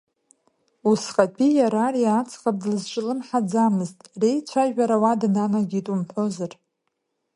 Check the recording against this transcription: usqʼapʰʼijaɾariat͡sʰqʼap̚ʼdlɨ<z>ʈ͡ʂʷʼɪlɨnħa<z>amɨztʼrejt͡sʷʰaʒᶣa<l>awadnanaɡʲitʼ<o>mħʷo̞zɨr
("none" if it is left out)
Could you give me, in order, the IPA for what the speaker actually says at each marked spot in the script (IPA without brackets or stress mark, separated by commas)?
z, d͡z, ɾ, u